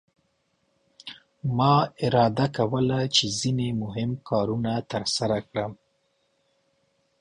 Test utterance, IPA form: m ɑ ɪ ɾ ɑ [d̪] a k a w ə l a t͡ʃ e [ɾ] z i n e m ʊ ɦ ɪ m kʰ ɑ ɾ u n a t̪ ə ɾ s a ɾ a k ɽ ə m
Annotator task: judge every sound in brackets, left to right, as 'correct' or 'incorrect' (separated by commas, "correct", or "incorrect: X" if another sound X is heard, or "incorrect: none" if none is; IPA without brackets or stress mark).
correct, incorrect: none